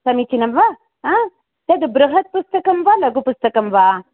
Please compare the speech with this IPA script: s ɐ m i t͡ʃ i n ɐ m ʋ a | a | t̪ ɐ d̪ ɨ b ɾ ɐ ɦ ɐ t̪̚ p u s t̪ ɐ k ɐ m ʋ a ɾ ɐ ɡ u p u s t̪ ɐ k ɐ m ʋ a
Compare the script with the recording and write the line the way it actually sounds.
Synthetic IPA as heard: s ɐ m i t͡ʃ i n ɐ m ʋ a | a | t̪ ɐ d̪ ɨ b ɾ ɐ ɦ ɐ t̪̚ p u s t̪ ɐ k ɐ m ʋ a l ɐ ɡ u p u s t̪ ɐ k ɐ m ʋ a